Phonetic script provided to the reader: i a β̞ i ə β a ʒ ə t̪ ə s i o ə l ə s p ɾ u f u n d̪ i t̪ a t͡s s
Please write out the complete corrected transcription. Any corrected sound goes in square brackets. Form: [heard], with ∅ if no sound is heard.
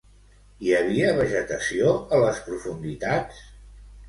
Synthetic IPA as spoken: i [ə] β̞ i ə β [ə] ʒ ə t̪ ə s i o ə l ə s p ɾ u f u n d̪ i t̪ a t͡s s

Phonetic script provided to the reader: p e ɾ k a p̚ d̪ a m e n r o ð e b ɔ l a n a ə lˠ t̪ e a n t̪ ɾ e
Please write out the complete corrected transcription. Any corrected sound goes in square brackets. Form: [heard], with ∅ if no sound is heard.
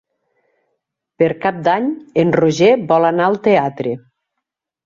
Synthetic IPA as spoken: p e ɾ k a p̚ d̪ a [ɲ] e n r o [ʒ] e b ɔ l a n a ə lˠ t̪ e a [∅] t̪ ɾ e

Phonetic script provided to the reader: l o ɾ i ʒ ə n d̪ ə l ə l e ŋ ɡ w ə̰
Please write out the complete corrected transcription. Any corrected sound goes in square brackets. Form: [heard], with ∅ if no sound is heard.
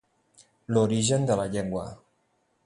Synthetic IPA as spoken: l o ɾ i ʒ ə n d̪ ə l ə [ʎ] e ŋ ɡ w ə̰

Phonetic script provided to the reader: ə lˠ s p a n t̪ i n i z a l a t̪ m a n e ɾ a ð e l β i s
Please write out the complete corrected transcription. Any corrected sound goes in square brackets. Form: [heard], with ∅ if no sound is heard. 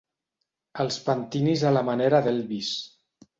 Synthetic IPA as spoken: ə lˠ s p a n t̪ i n i z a l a [∅] m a n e ɾ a ð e l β i s

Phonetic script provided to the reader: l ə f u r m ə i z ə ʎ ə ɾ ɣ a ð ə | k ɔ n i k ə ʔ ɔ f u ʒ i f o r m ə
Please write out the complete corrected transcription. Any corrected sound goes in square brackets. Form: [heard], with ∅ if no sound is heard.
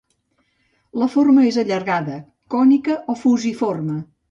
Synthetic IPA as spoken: l ə f [o] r m ə [e] z ə ʎ ə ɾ ɣ a ð ə | k ɔ n i k ə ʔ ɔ f u [z] i f o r m ə

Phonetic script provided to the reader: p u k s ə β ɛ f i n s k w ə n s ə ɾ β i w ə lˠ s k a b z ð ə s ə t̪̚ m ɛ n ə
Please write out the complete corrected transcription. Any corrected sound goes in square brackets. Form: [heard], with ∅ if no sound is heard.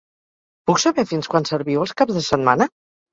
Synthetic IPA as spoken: p u k s ə β ɛ f i n s k w [a] n s ə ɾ β i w ə lˠ s k a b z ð ə s ə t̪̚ m [a] n ə

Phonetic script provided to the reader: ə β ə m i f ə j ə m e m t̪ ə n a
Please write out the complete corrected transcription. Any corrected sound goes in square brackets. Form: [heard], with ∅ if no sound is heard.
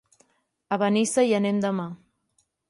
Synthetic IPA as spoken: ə β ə [n] i [s] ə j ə [n] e m [d̪] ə [m] a

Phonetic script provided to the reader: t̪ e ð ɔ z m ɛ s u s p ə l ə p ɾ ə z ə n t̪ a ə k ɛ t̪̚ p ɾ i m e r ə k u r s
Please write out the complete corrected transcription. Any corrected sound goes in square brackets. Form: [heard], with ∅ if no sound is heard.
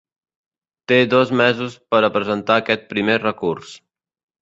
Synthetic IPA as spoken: t̪ e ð ɔ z m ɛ [z] u s p ə [ɾ] ə p ɾ ə z ə n t̪ a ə k ɛ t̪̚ p ɾ i m e r ə k u r s

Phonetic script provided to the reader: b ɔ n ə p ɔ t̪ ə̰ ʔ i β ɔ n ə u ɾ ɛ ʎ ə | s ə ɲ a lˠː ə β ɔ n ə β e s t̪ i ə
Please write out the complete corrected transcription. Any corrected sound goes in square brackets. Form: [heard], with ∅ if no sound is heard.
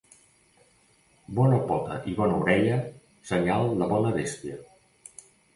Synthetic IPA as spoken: b ɔ n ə p ɔ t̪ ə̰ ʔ i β ɔ n ə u ɾ ɛ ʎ ə | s ə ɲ a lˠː ə β ɔ n ə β e s t̪ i ə

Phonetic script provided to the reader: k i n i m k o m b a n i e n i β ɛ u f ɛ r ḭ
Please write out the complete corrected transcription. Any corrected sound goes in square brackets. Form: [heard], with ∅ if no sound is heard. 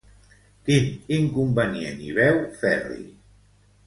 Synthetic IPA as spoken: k i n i [ŋ] k [u] m b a n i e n i β ɛ [w] f ɛ r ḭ

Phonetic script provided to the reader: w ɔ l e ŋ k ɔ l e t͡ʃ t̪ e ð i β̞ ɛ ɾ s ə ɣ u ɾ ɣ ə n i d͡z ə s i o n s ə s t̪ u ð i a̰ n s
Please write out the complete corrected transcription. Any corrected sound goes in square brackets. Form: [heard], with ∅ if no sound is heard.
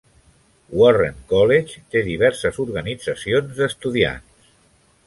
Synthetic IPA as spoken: w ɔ [r] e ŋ k ɔ l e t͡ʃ t̪ e ð i β̞ ɛ ɾ s ə [z] u ɾ ɣ ə n i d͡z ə s i o n [z] ə s t̪ u ð i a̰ n s

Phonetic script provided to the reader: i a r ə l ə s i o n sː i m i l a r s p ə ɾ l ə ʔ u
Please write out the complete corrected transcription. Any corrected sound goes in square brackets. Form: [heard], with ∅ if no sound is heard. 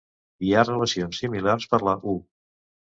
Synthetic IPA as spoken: i a r ə l ə s i o n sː i m i l a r s p ə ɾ l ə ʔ u

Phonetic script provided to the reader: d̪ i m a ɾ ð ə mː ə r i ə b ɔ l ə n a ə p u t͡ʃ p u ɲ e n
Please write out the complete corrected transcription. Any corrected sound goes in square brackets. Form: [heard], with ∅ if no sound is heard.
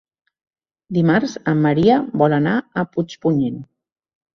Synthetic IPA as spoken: d̪ i m a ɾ [z] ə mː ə [ɾ] i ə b ɔ l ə n a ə p u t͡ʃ p u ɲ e n

